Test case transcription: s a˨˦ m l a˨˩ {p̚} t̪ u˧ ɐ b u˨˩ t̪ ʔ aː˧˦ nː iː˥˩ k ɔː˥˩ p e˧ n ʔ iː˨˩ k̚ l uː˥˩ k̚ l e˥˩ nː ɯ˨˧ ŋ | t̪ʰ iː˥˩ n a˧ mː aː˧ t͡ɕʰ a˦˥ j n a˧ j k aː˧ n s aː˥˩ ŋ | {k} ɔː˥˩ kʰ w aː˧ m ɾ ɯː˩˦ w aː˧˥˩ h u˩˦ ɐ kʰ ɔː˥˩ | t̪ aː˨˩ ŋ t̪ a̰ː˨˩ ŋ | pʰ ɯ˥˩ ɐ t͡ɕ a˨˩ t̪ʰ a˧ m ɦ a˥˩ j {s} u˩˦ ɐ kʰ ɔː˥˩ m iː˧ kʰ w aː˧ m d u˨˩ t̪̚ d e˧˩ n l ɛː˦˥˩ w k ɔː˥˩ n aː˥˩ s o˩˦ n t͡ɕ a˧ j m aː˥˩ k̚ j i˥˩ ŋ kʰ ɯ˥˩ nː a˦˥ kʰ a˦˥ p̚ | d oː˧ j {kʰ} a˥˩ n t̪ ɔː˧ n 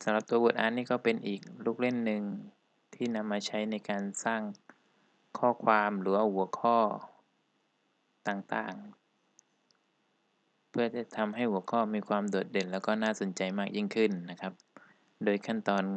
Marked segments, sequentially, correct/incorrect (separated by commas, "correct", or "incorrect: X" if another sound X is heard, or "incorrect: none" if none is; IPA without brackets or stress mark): correct, incorrect: kʰ, incorrect: h, correct